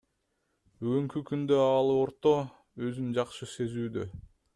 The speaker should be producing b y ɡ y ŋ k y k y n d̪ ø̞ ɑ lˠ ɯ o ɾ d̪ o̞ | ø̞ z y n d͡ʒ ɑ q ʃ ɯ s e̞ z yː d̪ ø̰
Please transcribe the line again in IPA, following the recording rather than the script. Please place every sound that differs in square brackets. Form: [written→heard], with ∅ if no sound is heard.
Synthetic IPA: b y ɡ y ŋ k y k y n d̪ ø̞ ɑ lˠ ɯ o ɾ [d̪→t̪] o̞ | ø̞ z y n d͡ʒ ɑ q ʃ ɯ s e̞ z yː d̪ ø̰